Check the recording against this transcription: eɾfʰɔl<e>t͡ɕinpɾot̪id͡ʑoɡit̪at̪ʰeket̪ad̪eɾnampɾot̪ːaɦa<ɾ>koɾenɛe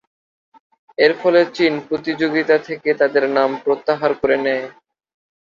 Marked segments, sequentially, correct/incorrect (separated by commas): correct, correct